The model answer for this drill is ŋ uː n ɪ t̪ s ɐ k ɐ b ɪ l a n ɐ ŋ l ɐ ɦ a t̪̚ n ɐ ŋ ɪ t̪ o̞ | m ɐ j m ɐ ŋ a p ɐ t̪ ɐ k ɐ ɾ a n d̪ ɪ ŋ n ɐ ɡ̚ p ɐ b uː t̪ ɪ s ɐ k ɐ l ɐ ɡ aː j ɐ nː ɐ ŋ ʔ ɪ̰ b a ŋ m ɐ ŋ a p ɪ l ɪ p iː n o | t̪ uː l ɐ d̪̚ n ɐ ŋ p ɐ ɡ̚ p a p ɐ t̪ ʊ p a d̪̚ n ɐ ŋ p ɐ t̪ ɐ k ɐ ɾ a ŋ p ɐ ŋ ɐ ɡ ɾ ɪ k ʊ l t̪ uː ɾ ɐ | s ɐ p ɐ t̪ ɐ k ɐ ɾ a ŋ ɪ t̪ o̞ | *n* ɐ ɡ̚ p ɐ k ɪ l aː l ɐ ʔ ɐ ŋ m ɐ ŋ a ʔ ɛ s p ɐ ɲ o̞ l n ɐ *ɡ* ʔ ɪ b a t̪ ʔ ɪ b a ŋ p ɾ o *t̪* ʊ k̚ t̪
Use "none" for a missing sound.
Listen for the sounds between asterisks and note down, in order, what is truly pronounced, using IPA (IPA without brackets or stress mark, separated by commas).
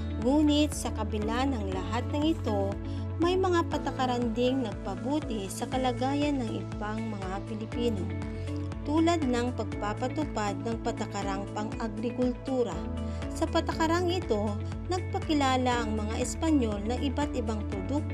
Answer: n, ŋ, d̪